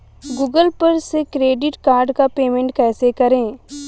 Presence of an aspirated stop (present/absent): absent